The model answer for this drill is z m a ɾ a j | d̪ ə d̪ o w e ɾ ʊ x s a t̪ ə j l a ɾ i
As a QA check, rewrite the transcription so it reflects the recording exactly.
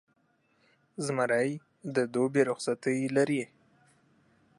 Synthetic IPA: z m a ɾ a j | d̪ ə d̪ o b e ɾ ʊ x s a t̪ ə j l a ɾ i